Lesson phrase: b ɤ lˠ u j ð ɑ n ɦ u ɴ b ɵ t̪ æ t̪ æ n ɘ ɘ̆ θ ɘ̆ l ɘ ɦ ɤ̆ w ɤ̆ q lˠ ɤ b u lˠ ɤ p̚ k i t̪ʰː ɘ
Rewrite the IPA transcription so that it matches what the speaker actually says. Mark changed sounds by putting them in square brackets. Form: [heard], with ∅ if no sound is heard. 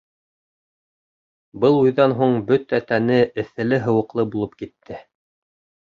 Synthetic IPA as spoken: b ɤ lˠ u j ð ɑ n ɦ u ɴ b ɵ t̪ æ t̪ æ n ɘ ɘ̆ θ ɘ̆ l ɘ ɦ ɤ̆ w ɤ̆ q lˠ ɤ b u lˠ ɤ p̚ k i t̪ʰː ɘ

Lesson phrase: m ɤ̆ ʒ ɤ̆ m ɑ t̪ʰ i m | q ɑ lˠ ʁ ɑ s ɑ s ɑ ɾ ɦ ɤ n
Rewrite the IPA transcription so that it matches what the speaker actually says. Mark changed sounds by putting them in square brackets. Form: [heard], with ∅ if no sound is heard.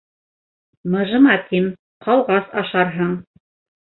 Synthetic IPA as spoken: m ɤ̆ ʒ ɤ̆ m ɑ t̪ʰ i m | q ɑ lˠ ʁ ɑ s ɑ [ʃ] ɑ ɾ ɦ ɤ [ɴ]

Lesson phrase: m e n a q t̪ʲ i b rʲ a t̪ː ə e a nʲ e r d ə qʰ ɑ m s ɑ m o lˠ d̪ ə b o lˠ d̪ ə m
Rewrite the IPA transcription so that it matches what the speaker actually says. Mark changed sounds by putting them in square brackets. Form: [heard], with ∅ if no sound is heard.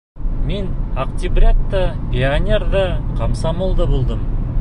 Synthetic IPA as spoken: m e n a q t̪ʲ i b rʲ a t̪ː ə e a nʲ e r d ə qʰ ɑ m s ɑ m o lˠ d̪ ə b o lˠ d̪ ə m

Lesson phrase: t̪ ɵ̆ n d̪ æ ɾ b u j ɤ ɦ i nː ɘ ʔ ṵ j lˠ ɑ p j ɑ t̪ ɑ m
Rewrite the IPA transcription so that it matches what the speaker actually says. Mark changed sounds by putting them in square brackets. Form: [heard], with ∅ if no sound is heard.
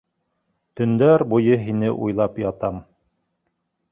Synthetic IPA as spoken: t̪ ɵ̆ n d̪ æ ɾ b u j ɤ ɦ i [n] ɘ ʔ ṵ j lˠ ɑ p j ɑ t̪ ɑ m

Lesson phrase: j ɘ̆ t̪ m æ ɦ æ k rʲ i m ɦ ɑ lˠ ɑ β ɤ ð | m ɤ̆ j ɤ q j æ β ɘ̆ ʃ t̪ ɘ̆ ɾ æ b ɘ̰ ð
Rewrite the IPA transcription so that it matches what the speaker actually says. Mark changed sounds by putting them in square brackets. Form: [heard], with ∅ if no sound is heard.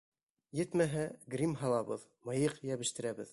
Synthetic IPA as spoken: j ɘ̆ t̪ m æ ɦ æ [ɡ] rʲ i m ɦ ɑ lˠ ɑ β ɤ ð | m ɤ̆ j ɤ q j æ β ɘ̆ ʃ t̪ ɘ̆ ɾ æ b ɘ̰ ð

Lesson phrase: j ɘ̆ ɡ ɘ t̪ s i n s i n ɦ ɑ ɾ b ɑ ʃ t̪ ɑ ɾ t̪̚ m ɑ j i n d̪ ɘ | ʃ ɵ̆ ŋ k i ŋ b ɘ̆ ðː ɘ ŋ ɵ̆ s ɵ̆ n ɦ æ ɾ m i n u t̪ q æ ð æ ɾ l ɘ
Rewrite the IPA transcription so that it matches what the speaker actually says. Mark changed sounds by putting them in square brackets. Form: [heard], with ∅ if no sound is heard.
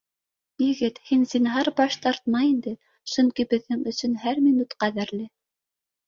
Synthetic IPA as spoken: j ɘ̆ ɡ ɘ t̪ [h] i n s i n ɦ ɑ ɾ b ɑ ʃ t̪ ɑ ɾ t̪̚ m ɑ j i n d̪ ɘ | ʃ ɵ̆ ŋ k i [∅] b ɘ̆ ðː ɘ ŋ ɵ̆ s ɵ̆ n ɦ æ ɾ m i n u t̪ q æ ð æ ɾ l ɘ

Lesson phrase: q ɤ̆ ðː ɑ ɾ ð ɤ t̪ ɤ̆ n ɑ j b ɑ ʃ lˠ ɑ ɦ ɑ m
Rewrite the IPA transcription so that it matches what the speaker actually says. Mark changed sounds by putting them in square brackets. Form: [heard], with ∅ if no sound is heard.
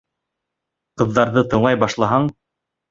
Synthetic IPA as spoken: q ɤ̆ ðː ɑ ɾ ð ɤ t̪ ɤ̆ [ɴ] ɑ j b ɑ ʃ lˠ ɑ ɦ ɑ [ɴ]

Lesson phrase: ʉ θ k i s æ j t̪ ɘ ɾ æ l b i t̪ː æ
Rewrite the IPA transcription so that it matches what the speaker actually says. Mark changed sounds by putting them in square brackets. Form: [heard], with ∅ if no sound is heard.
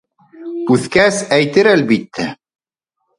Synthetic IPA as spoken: ʉ θ k [æ] s æ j t̪ ɘ ɾ æ l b i t̪ː æ

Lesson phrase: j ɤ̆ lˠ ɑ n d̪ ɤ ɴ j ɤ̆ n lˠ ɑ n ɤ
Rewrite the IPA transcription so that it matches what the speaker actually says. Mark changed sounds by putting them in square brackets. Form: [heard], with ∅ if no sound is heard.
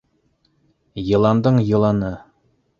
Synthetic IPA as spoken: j ɤ̆ lˠ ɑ n d̪ ɤ ɴ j ɤ̆ [∅] lˠ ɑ n ɤ

